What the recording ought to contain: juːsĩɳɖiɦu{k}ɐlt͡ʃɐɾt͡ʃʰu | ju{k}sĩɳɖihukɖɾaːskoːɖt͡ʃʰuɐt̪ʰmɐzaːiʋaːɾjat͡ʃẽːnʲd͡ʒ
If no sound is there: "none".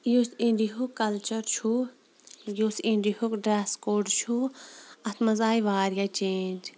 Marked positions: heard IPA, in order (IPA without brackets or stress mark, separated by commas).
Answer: k, none